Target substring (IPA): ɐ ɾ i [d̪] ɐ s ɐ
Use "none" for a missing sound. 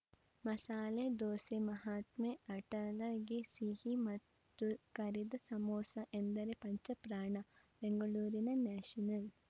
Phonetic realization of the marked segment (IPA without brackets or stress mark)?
d̪